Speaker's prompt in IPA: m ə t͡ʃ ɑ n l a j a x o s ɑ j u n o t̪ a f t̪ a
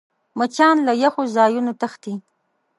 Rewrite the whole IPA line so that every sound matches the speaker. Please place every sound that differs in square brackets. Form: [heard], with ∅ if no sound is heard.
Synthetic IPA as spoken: m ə t͡ʃ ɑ n l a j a x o [z] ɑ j u n o t̪ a [x] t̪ [i]